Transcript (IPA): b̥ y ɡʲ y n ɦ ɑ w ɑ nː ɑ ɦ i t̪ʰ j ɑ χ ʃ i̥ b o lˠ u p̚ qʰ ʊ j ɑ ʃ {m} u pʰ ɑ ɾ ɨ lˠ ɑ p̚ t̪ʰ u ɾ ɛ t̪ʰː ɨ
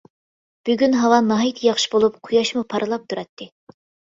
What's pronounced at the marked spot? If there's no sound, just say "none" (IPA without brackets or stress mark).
m